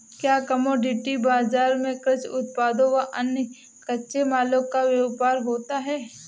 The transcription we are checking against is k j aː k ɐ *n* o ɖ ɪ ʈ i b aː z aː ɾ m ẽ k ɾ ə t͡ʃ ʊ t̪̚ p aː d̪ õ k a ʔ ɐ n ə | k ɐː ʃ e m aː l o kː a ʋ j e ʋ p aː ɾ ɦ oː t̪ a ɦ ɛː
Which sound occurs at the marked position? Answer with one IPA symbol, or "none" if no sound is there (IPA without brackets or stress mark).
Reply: m